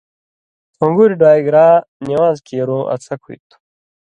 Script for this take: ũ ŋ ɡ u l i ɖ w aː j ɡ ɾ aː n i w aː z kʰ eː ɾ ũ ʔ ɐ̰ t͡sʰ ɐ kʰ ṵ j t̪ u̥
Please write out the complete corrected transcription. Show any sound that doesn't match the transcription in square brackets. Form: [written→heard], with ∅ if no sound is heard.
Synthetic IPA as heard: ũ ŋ ɡ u [l→ɾ] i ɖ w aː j ɡ ɾ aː n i w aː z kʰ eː ɾ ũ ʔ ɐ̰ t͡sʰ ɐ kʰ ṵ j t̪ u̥